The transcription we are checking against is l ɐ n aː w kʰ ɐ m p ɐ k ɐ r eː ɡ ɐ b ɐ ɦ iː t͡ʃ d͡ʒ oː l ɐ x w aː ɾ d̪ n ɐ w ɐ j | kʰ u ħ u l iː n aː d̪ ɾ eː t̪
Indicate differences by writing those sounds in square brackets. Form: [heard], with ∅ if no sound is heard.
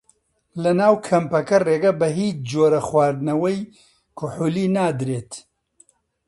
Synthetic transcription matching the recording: l ɐ n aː w kʰ ɐ m p ɐ k ɐ r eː ɡ ɐ b ɐ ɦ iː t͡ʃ d͡ʒ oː [ɾ] ɐ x w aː ɾ d̪ n ɐ w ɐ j | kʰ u ħ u l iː n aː d̪ ɾ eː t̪

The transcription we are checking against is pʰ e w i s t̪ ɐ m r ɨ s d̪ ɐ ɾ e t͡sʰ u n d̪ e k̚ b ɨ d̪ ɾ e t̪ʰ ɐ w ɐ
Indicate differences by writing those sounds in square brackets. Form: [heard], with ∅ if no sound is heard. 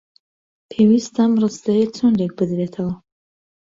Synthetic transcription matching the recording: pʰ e w i s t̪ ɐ m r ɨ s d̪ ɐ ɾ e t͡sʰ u n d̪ e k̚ b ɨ d̪ ɾ e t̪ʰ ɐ w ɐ

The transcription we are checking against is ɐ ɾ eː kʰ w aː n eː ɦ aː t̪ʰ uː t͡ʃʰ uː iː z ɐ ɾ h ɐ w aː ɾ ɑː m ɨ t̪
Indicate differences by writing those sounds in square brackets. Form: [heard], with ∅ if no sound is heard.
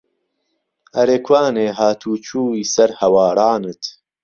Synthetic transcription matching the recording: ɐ ɾ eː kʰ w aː n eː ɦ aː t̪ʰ uː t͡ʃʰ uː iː [s] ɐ ɾ h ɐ w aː ɾ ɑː [n] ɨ t̪

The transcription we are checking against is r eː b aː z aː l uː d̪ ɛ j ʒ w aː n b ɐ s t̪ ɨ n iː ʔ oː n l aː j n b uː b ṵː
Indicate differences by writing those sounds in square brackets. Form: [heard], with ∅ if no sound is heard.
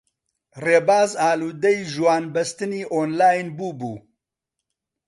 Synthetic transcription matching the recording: r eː b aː z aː l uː d̪ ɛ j ʒ w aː n b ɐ s t̪ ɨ n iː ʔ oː n l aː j n b uː b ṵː

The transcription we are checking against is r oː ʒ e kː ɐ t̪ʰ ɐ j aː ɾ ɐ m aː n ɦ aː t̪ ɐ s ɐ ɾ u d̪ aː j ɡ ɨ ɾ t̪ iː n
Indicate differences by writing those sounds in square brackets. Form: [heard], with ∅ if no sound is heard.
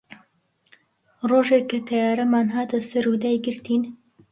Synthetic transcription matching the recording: r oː ʒ e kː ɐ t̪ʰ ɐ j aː ɾ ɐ m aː n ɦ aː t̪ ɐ s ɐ ɾ u d̪ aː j ɡ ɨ ɾ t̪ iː n

